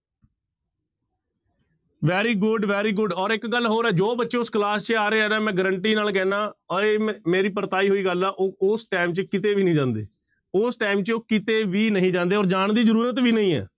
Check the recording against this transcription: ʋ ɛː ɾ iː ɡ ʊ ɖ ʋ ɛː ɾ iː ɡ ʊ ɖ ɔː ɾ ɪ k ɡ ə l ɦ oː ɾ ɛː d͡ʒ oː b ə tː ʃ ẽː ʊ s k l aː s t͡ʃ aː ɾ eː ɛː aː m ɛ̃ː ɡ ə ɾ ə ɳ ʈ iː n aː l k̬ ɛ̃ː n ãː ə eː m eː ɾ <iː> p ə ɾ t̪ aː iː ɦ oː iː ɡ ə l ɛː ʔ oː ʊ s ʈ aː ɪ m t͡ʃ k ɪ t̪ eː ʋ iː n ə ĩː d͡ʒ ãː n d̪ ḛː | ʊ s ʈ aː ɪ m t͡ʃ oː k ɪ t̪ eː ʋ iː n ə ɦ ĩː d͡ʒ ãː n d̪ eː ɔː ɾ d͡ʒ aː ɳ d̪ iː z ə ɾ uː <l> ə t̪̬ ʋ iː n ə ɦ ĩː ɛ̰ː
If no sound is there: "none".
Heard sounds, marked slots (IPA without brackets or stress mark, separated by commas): iː, ɾ